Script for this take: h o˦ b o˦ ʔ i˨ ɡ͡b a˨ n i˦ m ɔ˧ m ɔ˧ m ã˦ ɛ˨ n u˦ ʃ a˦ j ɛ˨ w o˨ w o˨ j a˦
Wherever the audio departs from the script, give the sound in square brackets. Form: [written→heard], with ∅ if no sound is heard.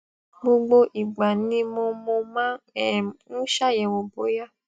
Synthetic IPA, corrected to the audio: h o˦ [b→ɡ͡b] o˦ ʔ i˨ ɡ͡b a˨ n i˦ m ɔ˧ m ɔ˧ m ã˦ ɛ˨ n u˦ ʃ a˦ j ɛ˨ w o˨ [w→b] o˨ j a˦